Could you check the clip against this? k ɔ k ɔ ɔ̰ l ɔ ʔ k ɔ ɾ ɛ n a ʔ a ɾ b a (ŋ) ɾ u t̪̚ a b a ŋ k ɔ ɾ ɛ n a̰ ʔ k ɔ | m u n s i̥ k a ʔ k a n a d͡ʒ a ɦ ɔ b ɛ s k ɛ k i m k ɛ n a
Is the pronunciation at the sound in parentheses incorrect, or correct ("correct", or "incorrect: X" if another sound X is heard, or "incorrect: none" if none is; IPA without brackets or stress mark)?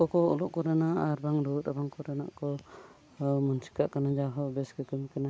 correct